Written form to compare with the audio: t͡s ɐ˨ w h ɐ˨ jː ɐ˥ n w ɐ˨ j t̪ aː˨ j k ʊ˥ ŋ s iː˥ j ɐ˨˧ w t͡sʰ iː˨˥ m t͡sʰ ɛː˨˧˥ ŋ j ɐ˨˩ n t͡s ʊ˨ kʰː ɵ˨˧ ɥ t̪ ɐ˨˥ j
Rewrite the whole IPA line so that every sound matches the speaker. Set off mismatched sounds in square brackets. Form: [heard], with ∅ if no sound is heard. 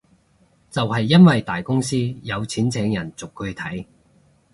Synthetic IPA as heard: t͡s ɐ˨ w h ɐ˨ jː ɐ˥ n w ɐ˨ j t̪ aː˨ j k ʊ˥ ŋ s iː˥ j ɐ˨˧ w t͡sʰ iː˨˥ [n] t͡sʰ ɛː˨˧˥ ŋ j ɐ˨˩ n t͡s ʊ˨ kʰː ɵ˨˧ ɥ [t̪ʰ] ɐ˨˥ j